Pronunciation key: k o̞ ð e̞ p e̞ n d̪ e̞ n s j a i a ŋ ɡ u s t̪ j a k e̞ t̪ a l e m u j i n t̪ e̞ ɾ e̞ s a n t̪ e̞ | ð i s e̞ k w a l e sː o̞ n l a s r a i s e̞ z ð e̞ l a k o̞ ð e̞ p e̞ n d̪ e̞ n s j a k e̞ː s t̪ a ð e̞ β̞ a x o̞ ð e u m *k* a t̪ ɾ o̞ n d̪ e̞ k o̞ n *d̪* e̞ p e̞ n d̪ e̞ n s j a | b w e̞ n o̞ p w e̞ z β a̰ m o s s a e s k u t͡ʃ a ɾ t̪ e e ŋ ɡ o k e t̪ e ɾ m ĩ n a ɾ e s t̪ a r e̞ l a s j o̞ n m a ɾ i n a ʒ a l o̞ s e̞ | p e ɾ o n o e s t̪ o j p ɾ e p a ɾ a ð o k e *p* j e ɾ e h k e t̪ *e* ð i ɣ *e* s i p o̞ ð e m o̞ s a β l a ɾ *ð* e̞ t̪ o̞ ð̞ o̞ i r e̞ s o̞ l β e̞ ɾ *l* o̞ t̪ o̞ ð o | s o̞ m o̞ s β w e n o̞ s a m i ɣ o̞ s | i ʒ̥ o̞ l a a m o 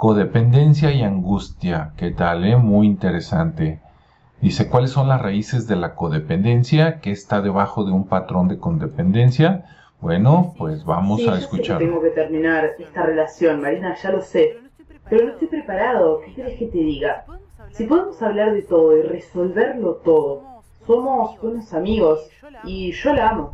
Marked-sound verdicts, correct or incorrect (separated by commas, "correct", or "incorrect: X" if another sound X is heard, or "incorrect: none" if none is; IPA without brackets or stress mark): incorrect: p, correct, incorrect: k, correct, incorrect: a, correct, correct